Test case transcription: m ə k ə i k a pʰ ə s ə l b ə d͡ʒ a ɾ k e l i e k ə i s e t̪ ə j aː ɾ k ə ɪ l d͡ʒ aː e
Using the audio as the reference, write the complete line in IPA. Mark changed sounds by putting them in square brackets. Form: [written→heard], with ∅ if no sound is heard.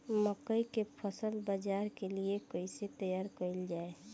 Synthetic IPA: m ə k ə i k [a→e] pʰ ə s ə l b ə d͡ʒ a ɾ k e l i e k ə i s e t̪ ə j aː ɾ k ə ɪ l d͡ʒ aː e